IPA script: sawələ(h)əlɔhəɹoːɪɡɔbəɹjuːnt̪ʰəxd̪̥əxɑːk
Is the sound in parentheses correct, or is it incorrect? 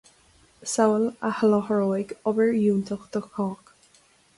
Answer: correct